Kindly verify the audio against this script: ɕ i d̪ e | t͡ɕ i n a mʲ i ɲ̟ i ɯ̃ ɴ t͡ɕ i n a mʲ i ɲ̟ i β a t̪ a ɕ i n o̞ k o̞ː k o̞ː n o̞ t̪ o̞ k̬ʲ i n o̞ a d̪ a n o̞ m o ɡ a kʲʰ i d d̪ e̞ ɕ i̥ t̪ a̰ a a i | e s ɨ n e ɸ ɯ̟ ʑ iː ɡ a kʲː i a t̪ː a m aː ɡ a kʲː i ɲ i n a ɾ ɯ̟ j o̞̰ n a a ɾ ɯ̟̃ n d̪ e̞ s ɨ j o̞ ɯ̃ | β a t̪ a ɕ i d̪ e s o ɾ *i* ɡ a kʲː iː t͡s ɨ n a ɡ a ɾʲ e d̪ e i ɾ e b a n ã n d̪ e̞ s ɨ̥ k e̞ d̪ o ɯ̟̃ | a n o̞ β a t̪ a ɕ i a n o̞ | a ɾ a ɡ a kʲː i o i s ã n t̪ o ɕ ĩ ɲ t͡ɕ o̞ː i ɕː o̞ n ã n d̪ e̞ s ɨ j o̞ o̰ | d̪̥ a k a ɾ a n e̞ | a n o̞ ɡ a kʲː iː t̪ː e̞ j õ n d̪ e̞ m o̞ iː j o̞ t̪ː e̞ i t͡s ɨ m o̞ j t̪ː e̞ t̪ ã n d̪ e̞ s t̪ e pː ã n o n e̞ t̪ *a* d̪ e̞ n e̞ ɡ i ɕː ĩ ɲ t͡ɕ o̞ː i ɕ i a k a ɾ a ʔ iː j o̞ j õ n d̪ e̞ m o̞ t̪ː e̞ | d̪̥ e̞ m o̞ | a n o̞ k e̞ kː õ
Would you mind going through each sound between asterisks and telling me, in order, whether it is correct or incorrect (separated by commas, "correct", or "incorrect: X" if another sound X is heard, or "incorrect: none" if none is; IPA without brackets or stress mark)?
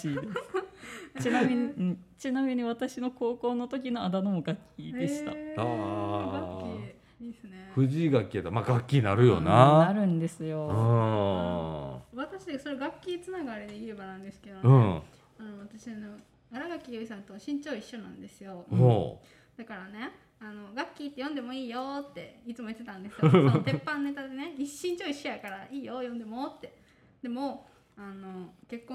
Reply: incorrect: e, correct